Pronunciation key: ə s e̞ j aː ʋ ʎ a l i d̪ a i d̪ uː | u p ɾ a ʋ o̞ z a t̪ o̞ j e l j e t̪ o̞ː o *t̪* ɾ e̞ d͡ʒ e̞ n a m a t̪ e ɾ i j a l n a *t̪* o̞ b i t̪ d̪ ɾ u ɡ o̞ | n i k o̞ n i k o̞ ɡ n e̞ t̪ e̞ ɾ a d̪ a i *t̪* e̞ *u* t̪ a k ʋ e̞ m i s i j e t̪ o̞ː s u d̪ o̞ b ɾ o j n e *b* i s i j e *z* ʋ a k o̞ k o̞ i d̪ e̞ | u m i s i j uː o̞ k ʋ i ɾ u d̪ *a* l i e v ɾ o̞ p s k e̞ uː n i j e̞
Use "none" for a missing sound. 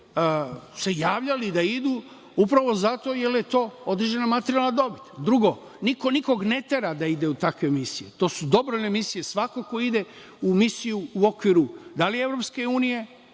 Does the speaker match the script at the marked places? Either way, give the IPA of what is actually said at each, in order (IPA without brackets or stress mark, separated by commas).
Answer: d̪, d̪, d̪, u, m, s, a